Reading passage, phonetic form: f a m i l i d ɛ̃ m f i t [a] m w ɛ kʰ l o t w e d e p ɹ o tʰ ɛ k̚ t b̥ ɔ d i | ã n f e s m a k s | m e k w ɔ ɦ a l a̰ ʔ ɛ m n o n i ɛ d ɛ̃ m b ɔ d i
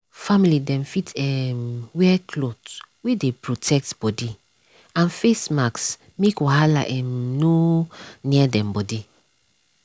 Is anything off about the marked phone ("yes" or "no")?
yes